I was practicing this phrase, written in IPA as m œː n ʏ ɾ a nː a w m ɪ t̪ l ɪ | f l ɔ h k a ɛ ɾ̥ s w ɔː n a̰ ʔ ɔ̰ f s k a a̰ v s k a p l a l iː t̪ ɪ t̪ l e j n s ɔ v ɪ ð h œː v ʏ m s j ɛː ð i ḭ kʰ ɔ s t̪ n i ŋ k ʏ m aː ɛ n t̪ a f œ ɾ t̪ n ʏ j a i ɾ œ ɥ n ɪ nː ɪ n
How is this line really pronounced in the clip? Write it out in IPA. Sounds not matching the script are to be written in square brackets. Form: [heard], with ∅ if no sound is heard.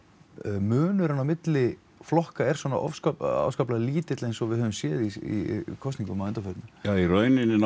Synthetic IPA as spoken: m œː n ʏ ɾ a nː a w m ɪ t̪ l ɪ | f l ɔ h k a ɛ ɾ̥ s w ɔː n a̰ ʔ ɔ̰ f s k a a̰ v s k a p l a l iː t̪ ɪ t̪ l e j n s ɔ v ɪ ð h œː v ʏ m s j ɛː ð i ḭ kʰ ɔ s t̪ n i ŋ k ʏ m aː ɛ n t̪ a f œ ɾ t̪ n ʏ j a i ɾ œ ɥ n ɪ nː ɪ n